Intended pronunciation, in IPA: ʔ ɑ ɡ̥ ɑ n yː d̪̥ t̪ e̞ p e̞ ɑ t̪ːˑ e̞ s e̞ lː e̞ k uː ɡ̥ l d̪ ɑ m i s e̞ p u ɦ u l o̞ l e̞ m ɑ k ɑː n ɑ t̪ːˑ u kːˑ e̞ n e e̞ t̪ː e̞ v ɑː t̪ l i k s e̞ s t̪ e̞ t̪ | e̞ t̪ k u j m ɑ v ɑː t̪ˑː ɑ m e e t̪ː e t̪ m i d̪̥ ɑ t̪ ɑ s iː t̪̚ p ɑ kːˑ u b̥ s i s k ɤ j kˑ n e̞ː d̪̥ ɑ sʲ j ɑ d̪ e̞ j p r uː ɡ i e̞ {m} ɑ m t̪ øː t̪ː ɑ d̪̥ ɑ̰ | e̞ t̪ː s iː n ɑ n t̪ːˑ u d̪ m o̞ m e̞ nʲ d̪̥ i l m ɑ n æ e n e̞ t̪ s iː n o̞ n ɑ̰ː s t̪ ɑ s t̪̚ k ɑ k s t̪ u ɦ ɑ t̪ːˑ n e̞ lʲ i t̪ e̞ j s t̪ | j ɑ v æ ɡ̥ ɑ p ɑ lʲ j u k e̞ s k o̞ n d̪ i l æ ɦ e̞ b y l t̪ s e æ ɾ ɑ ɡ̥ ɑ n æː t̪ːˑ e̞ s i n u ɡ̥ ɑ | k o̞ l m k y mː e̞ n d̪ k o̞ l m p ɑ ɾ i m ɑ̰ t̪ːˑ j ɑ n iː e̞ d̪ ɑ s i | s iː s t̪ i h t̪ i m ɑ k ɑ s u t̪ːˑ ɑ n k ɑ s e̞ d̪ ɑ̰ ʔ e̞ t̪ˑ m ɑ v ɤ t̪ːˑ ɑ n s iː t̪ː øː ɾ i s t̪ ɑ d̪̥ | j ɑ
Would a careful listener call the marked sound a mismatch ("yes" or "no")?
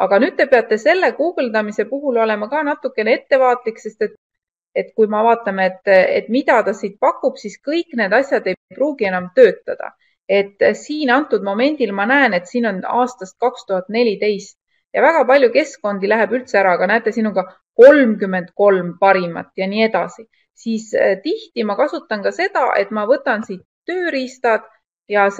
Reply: yes